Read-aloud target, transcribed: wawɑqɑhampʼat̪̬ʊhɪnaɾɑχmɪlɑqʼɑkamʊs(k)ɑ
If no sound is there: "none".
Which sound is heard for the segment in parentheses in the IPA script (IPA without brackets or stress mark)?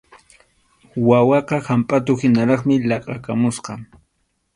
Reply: q